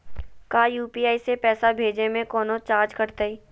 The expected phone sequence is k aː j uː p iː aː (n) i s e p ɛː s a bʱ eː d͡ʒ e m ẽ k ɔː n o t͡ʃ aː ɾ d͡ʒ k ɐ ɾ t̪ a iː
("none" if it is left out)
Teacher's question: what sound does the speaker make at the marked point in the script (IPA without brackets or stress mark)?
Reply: none